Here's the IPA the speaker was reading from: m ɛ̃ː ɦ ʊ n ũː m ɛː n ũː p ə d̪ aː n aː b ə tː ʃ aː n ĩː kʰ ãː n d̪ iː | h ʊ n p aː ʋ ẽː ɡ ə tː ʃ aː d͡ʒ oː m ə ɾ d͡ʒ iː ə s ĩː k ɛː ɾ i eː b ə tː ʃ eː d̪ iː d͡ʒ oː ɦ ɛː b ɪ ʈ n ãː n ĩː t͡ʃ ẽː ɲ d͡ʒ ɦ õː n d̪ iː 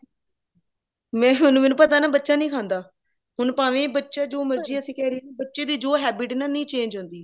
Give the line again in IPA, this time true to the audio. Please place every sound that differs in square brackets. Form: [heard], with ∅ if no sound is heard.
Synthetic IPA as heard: m ɛ̃ː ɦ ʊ n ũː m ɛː n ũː p ə [t̪] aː n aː b ə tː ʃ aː n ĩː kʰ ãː n d̪ [aː] | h ʊ n p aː ʋ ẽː [b] ə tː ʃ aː d͡ʒ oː m ə ɾ d͡ʒ iː ə s ĩː k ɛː ɾ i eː b ə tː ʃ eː d̪ iː d͡ʒ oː ɦ ɛː b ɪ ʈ n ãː n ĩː t͡ʃ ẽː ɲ d͡ʒ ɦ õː n d̪ iː